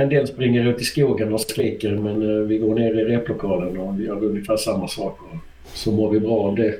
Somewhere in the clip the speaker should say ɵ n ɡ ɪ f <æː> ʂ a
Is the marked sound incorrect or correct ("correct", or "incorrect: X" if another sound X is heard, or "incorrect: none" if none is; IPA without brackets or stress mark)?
correct